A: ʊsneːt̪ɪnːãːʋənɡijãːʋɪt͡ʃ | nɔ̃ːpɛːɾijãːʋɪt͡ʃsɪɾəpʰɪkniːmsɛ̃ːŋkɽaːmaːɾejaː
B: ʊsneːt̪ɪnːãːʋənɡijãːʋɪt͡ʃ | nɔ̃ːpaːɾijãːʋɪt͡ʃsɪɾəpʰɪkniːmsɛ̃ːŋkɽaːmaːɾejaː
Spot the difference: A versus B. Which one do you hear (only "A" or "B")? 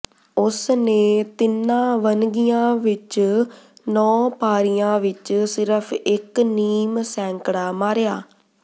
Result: B